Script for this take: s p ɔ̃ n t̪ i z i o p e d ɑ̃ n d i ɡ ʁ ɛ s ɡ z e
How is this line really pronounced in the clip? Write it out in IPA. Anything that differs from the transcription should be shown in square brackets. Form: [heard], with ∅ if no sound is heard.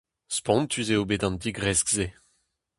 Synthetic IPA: s p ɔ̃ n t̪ [y] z [e] o [b] e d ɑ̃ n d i ɡ ʁ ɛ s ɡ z e